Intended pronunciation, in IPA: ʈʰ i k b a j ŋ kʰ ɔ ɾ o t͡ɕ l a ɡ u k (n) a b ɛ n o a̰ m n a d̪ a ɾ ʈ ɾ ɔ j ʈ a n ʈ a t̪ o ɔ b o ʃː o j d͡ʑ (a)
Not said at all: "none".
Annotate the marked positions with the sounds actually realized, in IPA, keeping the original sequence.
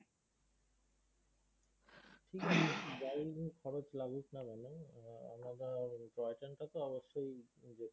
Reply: n, e

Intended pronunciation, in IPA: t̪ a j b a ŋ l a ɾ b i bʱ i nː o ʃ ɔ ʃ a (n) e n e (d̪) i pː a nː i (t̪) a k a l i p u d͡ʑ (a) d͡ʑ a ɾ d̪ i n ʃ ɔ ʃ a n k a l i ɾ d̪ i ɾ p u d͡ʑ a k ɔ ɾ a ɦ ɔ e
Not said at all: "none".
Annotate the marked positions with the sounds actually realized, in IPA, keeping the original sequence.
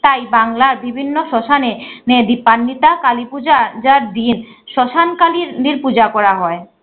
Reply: n, d̪, t̪, a

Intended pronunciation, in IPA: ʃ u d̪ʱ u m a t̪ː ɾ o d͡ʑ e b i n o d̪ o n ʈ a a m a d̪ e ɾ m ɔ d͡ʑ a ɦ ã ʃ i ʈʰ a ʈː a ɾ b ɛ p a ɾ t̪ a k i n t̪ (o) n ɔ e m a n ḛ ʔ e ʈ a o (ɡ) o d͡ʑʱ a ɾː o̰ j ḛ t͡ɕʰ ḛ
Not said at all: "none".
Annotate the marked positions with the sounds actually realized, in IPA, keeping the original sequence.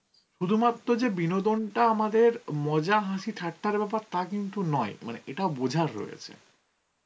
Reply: u, b

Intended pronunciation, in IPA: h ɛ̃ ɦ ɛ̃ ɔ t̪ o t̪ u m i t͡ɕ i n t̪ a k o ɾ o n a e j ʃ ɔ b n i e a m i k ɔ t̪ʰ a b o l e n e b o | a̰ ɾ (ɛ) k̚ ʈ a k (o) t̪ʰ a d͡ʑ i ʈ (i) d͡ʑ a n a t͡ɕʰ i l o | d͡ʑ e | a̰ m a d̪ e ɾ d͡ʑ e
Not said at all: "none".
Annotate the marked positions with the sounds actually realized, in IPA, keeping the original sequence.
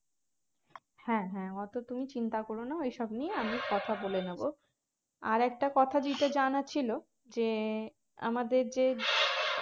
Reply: ɛ, ɔ, a

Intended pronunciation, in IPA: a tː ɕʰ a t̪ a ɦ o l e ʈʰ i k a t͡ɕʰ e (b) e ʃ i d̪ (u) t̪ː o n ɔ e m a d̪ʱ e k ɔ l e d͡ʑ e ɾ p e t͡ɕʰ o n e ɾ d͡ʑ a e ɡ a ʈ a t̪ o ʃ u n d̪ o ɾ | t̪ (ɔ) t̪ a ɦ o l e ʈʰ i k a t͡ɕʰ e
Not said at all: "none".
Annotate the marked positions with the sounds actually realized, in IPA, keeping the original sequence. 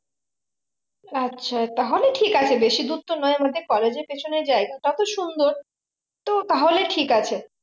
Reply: b, u, o

